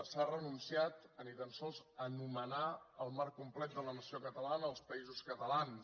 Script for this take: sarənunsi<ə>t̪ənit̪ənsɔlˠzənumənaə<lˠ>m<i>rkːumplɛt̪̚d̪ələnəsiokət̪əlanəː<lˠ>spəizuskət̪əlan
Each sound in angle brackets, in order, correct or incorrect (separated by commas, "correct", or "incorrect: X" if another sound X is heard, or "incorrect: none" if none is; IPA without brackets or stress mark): incorrect: a, correct, incorrect: a, correct